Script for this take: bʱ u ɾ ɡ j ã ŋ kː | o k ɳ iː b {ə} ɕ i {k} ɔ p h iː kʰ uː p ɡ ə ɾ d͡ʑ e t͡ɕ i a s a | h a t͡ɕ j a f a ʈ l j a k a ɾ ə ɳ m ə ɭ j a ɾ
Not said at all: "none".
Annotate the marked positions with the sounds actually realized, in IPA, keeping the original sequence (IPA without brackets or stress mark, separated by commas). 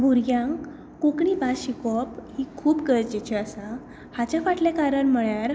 a, k